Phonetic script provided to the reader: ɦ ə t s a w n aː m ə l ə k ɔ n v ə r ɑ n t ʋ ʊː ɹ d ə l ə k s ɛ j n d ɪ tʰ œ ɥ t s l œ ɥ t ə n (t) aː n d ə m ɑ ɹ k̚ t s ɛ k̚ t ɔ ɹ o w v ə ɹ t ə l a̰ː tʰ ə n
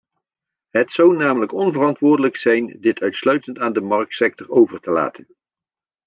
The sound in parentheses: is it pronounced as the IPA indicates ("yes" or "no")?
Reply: yes